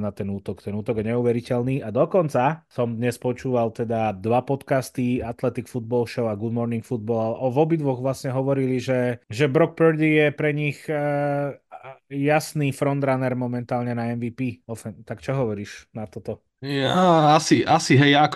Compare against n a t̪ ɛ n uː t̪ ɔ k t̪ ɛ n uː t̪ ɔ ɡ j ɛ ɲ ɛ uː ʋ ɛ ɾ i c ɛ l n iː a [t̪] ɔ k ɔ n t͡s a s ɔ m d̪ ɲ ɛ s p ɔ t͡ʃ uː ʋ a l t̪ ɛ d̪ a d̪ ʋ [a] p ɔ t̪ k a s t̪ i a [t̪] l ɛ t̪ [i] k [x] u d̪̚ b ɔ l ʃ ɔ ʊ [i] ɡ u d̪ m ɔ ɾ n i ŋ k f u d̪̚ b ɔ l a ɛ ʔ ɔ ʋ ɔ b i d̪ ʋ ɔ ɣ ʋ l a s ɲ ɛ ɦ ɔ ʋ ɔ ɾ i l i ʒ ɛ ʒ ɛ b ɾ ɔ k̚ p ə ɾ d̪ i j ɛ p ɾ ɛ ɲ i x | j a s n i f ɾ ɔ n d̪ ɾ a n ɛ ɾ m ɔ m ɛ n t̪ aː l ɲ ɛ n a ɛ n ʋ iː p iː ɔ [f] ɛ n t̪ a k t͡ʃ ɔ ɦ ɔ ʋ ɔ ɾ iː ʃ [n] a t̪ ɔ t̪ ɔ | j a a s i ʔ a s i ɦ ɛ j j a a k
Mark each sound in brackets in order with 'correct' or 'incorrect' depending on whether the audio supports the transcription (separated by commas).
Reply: incorrect, correct, correct, correct, incorrect, incorrect, correct, correct